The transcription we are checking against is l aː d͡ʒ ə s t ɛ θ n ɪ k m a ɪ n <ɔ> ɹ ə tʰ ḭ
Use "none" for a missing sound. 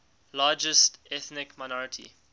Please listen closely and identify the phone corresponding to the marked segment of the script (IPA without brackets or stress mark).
ɔ